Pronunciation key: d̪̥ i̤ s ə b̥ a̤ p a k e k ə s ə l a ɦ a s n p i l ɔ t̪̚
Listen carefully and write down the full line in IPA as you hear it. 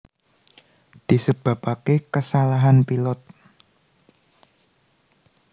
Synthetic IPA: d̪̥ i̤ s ə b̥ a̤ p a k e k ə s a l a ɦ a n p i l ɔ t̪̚